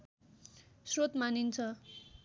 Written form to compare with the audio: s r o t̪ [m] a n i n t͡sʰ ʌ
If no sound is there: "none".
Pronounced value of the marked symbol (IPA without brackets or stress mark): m